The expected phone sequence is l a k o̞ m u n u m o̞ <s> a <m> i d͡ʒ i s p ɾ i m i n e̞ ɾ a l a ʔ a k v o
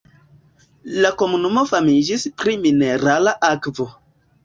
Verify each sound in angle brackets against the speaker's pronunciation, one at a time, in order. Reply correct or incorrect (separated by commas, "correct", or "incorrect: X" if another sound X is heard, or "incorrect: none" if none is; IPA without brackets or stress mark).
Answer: incorrect: f, correct